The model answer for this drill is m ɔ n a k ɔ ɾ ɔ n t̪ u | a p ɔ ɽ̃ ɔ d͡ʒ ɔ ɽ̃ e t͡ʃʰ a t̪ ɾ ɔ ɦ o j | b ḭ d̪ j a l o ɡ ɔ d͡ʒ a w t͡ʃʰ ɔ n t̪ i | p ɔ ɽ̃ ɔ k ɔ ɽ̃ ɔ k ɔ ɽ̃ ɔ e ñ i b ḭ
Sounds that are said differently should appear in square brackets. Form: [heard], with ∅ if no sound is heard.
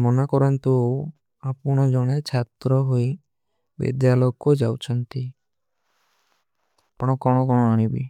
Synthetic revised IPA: m ɔ n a k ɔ ɾ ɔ n t̪ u | a p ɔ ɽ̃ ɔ d͡ʒ ɔ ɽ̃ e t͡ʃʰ a t̪ ɾ ɔ ɦ o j | b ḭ d̪ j a l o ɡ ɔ d͡ʒ a w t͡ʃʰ ɔ n t̪ i | p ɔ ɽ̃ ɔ k ɔ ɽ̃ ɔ k ɔ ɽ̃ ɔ [a] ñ i b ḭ